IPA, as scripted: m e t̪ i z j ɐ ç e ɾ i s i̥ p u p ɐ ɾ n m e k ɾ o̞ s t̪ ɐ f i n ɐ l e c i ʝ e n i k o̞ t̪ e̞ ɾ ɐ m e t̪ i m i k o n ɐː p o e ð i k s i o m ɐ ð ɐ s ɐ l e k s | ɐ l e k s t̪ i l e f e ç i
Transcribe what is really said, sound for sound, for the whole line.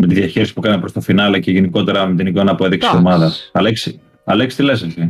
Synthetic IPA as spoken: m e t̪ i ð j ɐ ç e ɾ i s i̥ p u k ɐ n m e p ɾ o̞ s t̪ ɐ f i n ɐ l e c e ʝ e n i k o̞ t̪ e̞ ɾ ɐ m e t̪ i n i k o n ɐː p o e ð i k s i o m ɐ ð ɐ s ɐ l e k s | ɐ l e k s t̪ i l e s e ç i